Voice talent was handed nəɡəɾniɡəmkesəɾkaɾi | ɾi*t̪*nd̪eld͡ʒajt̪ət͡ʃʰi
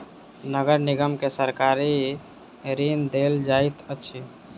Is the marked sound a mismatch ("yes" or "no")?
yes